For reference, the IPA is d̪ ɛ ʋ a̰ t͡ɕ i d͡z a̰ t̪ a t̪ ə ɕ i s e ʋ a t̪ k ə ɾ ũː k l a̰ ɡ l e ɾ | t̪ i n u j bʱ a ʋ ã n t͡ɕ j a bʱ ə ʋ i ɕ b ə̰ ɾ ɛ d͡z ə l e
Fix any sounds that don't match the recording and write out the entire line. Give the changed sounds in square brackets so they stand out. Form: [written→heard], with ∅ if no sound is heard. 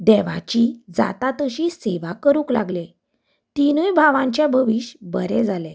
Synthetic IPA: d̪ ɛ ʋ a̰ t͡ɕ i d͡z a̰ t̪ a t̪ ə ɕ i s e ʋ a [t̪→∅] k ə ɾ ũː k l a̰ ɡ l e [ɾ→∅] | t̪ i n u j bʱ a ʋ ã [n→ɲ] t͡ɕ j a bʱ ə ʋ i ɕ b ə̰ ɾ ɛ d͡z [ə→a] l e